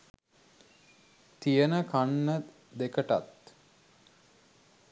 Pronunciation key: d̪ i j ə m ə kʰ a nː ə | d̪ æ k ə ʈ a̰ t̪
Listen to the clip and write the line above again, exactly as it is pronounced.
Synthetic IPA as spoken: t̪ i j ə n ə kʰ a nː ə | d̪ e k ə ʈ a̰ t̪